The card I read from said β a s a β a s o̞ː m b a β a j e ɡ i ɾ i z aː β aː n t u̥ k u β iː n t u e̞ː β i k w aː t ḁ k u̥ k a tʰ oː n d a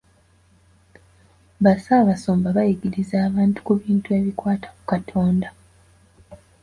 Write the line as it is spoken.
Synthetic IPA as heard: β a s a β a s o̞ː m b a β a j i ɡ i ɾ i z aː β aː n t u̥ k u β iː n t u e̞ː β i k w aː t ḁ k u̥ k a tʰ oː n d a